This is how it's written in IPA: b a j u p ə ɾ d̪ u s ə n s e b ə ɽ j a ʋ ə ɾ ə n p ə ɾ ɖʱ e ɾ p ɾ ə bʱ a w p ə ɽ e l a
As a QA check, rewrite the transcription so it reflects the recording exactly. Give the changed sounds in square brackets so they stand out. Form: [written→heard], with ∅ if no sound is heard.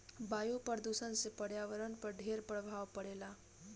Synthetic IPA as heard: b a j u p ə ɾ d̪ u s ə n s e [b→p] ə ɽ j a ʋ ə ɾ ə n p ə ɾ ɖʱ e ɾ p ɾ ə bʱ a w p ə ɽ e l a